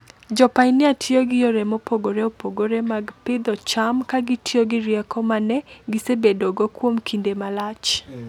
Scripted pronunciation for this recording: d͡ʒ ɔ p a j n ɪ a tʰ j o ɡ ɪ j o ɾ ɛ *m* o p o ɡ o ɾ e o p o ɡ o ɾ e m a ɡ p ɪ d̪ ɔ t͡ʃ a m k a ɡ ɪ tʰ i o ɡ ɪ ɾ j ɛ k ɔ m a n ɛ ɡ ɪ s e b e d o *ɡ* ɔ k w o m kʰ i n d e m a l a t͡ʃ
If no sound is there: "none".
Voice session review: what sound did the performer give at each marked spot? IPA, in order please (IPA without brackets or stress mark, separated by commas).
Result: m, ɡ